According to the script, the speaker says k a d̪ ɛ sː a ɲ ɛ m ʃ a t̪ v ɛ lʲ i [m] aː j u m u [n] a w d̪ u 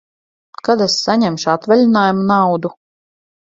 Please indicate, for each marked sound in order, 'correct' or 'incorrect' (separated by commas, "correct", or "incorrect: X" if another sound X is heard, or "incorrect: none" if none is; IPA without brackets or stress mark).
incorrect: n, correct